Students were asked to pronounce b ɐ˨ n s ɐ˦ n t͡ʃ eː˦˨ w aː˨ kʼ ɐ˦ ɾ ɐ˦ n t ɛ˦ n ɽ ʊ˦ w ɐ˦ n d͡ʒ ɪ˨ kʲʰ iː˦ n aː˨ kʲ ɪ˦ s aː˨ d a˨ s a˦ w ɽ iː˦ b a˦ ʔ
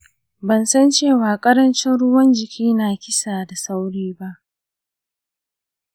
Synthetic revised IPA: b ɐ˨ n s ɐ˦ n t͡ʃ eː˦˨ w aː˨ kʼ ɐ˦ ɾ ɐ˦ n t͡ʃ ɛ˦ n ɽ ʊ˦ w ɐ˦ n d͡ʒ ɪ˨ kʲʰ iː˦ n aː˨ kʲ ɪ˦ s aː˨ d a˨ s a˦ w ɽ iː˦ b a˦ ʔ